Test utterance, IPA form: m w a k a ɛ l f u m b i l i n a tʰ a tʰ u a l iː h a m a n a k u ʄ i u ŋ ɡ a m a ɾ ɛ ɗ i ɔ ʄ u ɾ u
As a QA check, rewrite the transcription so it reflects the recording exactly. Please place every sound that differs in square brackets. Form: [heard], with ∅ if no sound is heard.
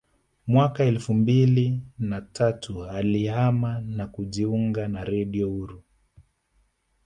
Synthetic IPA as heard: m w a k a ɛ l f u m b i l i n a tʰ a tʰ u a l [i] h a m a n a k u ʄ i u ŋ ɡ a [n] a ɾ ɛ ɗ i ɔ [∅] u ɾ u